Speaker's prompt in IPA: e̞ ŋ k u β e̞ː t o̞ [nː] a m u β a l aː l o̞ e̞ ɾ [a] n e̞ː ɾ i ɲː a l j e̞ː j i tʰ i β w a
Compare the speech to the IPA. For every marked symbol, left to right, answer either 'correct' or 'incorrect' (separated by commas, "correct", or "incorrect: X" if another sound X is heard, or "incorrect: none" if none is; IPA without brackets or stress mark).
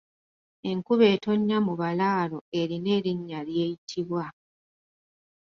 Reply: incorrect: ɲː, incorrect: i